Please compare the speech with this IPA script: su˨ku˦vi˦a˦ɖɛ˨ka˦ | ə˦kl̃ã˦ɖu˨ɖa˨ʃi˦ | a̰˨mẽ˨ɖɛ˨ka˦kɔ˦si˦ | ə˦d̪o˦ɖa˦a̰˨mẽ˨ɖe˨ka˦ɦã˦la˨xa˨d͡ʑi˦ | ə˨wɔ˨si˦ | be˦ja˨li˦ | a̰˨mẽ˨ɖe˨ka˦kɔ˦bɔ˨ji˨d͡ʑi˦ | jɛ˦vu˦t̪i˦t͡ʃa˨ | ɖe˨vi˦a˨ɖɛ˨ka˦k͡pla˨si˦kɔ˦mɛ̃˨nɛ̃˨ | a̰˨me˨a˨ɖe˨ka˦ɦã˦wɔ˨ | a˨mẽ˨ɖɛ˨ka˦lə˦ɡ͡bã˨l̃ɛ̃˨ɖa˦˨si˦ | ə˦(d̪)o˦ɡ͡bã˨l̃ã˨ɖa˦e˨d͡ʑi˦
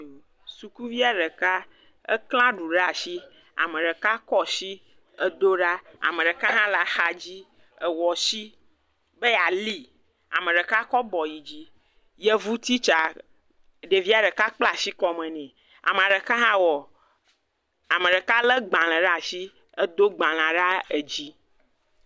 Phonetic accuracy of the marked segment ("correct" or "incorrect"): correct